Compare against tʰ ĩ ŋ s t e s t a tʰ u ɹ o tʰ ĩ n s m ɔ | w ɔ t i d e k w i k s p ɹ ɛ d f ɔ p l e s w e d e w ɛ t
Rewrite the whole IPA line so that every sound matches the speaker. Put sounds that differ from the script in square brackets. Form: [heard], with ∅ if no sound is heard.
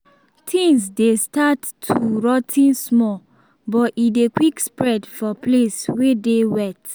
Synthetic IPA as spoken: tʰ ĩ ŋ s [d] e s t a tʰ u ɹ [ɔ] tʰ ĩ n s m ɔ | [b] ɔ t i d e k w i k s p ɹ ɛ d f ɔ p l e s w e d e w ɛ t